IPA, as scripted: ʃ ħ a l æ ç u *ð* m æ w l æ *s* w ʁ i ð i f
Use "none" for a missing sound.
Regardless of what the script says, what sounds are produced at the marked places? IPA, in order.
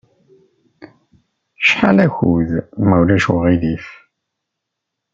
ð, ʃ

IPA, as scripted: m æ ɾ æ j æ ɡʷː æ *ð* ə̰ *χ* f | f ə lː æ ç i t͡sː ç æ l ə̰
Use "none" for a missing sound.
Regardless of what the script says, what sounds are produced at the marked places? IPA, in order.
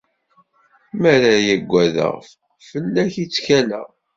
ð, ʁ

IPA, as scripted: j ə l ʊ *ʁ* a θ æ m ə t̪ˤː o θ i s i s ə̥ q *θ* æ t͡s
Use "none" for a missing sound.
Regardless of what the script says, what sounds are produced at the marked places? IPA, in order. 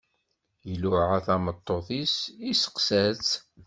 ʕ, s

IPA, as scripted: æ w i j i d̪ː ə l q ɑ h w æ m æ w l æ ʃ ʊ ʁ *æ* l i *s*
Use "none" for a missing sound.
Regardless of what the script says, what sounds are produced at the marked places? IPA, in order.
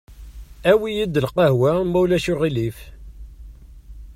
i, f

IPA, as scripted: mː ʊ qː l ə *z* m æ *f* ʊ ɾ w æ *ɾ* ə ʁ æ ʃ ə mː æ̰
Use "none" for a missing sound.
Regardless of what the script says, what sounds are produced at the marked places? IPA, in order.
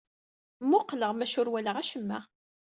ʁ, ʃ, l

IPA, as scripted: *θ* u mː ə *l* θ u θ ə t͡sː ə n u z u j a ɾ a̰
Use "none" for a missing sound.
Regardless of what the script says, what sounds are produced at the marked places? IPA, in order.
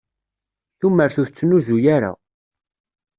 θ, ɾ

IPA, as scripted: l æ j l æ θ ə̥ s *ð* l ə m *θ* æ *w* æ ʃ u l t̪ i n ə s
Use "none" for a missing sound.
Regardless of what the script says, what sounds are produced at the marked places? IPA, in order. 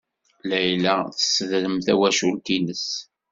ð, θ, w

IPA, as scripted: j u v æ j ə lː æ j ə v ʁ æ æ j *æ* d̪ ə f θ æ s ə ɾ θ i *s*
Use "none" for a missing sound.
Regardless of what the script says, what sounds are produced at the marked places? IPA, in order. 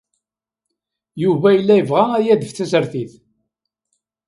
æ, θ

